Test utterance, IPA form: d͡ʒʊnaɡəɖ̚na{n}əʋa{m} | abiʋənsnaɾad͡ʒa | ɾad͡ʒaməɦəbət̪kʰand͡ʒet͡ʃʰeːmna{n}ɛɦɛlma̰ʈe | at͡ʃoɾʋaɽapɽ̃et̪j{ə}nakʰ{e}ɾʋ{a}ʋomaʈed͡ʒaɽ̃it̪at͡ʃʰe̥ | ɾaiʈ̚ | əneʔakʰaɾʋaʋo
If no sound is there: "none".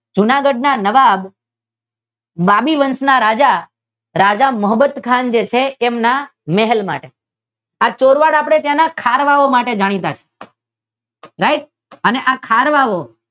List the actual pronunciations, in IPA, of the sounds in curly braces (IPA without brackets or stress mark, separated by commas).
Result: n, b, m, a, a, a